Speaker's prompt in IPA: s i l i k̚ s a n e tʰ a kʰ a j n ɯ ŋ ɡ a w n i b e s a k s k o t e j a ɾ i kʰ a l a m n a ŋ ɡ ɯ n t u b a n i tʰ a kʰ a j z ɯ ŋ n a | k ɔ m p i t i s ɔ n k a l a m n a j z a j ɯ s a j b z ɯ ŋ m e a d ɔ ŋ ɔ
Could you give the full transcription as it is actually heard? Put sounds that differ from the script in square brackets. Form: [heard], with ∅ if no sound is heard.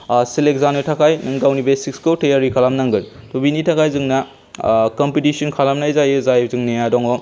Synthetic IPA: s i l [e] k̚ [z] a n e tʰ a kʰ a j n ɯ ŋ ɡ a w n i b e s [i] k s k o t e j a ɾ i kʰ a l a m n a ŋ ɡ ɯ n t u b [i] n i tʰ a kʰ a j z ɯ ŋ n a | k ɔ m p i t i s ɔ n [kʰ] a l a m n a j z a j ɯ [z] a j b z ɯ ŋ [n] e a d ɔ ŋ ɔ